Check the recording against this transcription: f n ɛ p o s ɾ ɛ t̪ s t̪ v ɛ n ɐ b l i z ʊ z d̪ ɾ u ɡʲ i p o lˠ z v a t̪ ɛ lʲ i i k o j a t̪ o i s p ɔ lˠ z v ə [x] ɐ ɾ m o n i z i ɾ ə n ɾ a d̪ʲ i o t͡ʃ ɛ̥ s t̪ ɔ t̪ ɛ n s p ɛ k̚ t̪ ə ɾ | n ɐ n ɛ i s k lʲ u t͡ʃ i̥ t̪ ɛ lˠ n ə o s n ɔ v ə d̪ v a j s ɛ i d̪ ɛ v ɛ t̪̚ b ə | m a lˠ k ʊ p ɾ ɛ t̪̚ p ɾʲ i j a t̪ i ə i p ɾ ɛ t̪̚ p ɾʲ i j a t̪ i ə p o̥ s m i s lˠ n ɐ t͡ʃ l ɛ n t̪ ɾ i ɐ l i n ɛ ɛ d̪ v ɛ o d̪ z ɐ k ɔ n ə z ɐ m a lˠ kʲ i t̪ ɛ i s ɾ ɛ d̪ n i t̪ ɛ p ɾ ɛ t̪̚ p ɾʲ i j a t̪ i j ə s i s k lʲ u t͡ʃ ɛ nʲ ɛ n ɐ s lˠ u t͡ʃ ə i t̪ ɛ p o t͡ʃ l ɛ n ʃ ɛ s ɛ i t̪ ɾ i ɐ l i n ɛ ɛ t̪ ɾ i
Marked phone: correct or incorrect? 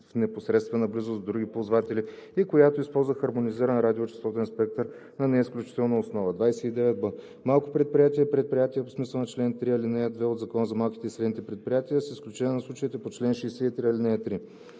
correct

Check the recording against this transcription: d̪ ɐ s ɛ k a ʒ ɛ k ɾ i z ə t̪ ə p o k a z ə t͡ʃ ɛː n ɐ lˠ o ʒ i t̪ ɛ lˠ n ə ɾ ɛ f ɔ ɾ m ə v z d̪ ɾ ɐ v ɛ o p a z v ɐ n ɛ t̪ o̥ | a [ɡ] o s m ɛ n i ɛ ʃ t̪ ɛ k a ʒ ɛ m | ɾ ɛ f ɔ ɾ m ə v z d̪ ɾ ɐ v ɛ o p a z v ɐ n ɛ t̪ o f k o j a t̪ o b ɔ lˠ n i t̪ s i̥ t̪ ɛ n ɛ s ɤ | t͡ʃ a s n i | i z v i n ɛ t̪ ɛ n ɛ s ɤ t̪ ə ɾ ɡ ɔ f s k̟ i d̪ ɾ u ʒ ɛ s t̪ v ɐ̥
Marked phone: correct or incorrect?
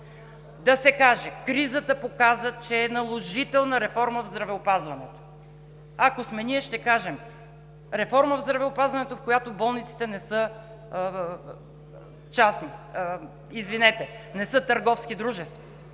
incorrect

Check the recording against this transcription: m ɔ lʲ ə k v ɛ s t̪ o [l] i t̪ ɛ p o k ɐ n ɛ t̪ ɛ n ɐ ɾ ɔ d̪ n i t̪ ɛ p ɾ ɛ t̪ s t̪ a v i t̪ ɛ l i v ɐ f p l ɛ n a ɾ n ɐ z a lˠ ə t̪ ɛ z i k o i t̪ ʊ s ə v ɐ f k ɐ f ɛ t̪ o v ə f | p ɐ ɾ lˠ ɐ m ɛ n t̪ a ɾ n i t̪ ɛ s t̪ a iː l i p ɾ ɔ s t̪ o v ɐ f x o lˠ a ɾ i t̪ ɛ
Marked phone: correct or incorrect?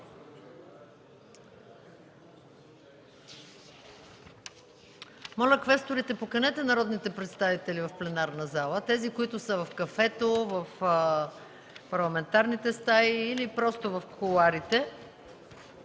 incorrect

